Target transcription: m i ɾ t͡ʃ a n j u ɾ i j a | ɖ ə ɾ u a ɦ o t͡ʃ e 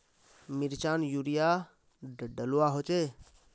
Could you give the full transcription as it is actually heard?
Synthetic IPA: m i ɾ t͡ʃ a n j u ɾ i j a | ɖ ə l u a ɦ o t͡ʃ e